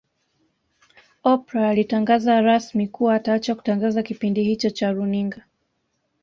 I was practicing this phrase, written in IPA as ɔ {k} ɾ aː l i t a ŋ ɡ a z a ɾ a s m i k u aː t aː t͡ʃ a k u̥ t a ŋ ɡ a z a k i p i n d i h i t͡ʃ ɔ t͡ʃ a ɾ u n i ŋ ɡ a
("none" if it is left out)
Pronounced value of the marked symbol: p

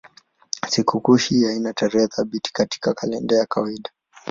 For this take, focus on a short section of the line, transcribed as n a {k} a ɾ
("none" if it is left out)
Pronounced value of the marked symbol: t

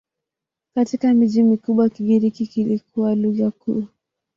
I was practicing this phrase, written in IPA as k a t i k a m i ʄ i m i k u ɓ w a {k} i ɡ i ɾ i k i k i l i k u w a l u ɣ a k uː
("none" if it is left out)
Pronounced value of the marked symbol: k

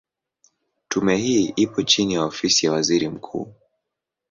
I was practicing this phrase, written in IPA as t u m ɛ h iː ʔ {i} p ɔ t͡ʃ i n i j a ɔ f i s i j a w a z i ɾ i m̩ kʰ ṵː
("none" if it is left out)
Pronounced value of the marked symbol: i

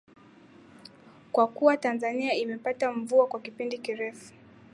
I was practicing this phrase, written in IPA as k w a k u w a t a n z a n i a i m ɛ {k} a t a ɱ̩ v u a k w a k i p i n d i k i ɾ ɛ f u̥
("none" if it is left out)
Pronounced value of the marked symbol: p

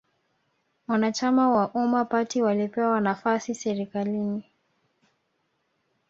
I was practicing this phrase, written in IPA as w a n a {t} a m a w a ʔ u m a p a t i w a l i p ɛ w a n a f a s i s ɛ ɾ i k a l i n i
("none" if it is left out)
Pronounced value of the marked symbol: t͡ʃ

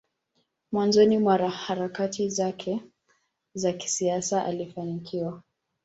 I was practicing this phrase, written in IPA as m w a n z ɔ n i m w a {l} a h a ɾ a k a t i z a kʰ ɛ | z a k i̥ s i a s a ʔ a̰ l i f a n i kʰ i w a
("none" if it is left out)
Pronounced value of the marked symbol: ɾ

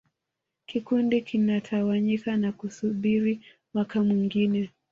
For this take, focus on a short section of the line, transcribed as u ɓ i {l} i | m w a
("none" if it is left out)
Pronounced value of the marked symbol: ɾ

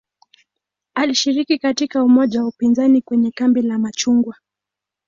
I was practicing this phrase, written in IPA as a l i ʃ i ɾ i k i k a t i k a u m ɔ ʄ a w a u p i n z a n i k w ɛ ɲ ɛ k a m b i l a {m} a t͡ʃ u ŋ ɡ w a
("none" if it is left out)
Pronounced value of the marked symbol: m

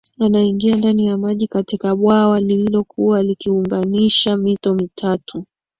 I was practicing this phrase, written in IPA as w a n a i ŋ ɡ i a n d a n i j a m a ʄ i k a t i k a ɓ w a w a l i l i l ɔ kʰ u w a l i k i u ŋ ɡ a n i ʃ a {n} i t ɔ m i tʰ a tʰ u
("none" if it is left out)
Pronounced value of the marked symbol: m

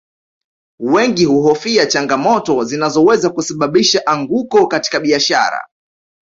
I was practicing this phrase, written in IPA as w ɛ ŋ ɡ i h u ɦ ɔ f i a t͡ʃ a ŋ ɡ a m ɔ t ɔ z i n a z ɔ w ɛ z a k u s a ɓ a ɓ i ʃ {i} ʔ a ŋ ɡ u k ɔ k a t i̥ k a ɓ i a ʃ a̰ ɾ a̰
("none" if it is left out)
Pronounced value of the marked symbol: a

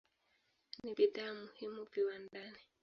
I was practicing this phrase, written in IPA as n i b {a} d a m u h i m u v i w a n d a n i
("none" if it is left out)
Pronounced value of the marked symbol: i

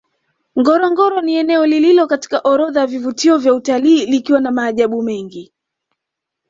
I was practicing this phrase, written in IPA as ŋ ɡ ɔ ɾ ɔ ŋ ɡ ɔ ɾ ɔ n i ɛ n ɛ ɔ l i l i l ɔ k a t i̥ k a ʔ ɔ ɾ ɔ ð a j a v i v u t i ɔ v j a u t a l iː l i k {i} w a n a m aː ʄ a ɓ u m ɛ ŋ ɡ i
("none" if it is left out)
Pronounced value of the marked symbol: i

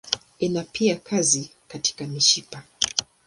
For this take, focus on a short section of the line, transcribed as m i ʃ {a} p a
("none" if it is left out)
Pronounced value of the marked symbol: i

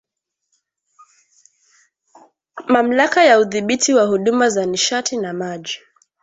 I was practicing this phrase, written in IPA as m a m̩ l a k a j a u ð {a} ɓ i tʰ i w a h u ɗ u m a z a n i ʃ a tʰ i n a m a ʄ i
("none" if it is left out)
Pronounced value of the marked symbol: i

